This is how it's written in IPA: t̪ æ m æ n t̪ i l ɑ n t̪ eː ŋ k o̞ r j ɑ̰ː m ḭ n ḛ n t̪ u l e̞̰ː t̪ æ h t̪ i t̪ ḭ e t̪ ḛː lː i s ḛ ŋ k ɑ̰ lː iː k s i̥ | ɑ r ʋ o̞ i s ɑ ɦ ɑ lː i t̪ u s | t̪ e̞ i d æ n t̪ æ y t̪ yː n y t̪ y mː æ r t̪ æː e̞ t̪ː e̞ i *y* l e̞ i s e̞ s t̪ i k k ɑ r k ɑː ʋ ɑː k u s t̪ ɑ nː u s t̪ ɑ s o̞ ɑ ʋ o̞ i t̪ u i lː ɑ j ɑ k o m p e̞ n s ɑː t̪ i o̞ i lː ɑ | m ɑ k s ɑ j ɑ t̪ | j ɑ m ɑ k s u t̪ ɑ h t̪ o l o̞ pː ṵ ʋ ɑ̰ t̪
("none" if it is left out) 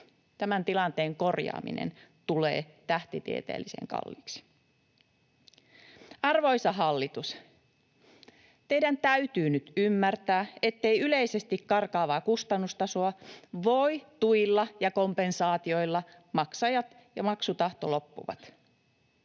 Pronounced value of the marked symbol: y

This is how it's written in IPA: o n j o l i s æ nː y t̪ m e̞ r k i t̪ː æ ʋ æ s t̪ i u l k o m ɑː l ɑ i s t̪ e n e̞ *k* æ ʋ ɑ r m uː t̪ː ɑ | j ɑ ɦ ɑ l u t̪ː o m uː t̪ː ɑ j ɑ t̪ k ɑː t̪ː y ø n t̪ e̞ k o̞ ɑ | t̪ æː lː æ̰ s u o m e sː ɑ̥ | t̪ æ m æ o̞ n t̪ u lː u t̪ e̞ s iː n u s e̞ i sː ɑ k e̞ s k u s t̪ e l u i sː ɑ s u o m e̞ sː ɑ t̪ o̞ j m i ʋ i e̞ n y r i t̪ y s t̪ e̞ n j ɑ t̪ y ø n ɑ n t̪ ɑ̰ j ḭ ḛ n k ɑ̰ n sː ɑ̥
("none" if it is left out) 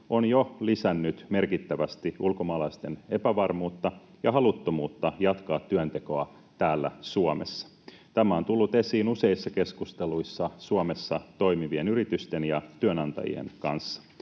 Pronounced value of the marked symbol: p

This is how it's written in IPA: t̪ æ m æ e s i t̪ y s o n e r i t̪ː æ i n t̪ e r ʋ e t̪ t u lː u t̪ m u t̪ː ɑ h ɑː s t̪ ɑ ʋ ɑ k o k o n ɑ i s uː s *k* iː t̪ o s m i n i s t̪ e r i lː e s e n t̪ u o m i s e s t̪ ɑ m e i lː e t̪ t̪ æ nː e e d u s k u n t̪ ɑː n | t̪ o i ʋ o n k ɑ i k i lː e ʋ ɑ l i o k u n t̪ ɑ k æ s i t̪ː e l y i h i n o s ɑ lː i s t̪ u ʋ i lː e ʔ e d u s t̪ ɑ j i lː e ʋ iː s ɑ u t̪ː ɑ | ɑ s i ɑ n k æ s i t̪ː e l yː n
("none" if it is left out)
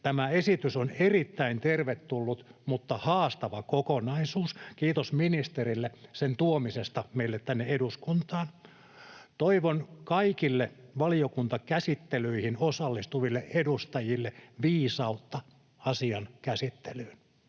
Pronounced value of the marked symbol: k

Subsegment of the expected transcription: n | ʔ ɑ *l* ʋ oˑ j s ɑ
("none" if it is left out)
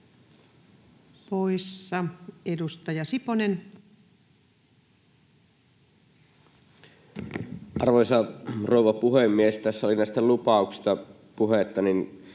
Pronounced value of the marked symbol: r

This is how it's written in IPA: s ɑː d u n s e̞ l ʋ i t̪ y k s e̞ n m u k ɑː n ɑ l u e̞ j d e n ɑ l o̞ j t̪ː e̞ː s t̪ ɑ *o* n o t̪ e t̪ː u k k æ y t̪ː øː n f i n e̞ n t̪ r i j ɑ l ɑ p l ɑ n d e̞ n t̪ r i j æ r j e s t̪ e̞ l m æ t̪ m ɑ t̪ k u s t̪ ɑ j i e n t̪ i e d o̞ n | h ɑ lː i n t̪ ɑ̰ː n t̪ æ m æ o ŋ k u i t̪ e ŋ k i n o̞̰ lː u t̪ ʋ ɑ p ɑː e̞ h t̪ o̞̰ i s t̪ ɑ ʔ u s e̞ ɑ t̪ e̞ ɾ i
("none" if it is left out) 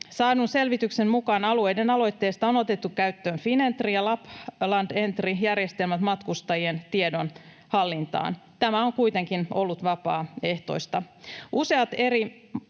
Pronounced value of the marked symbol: o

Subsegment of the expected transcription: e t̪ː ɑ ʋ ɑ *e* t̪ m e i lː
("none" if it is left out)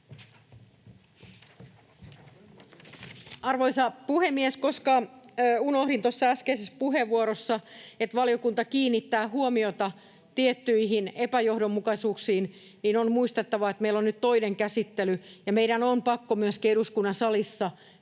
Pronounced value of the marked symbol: e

